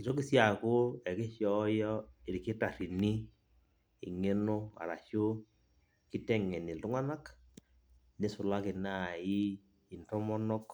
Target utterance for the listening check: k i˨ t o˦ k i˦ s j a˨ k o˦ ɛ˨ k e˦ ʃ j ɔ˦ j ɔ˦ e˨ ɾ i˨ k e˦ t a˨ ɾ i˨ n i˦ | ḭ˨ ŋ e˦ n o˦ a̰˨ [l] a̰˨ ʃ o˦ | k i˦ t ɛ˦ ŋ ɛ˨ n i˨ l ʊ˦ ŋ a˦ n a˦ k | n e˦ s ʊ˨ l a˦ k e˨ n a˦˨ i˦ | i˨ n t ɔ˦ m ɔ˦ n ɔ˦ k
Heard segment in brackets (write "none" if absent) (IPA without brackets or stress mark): ɾ